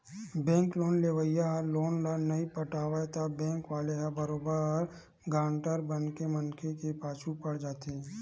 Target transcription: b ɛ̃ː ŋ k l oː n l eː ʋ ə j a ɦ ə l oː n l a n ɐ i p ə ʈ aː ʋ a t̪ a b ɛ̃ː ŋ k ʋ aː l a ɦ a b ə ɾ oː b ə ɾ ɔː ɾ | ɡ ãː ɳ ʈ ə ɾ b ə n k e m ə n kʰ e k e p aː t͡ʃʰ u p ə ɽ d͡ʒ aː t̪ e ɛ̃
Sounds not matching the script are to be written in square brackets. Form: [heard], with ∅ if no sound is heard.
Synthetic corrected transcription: b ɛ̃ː ŋ k l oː n l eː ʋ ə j a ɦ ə l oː n l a n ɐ i p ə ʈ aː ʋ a t̪ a b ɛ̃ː ŋ k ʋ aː l [e] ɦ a b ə ɾ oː b ə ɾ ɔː ɾ | ɡ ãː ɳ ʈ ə ɾ b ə n k e m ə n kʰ e k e p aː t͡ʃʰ u p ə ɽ d͡ʒ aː t̪ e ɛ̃